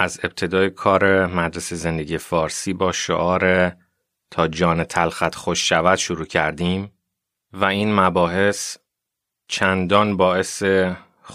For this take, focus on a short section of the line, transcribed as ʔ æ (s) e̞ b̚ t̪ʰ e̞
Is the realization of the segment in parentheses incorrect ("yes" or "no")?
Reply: yes